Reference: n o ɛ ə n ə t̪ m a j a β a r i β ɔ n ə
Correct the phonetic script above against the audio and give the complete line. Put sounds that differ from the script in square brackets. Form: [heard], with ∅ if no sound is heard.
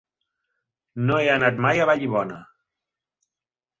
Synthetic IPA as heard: n o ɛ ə n [a] t̪ m a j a β a [ʎ] i β ɔ n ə